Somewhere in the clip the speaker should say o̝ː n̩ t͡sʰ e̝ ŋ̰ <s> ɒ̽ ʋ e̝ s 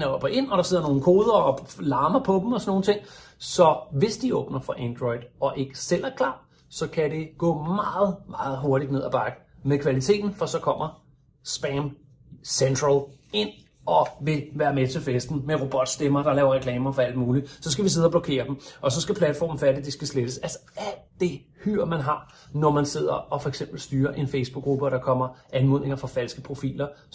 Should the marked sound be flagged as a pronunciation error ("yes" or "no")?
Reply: no